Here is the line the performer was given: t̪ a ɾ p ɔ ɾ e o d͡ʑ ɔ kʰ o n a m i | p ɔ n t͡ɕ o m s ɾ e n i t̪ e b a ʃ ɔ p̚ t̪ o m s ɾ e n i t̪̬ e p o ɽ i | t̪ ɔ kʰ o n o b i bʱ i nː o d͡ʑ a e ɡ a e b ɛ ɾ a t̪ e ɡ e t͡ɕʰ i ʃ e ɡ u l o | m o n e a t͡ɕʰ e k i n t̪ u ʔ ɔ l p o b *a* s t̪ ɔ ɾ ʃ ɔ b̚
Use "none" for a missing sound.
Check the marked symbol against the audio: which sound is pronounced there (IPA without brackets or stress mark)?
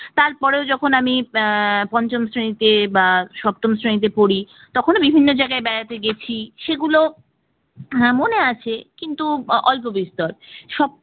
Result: i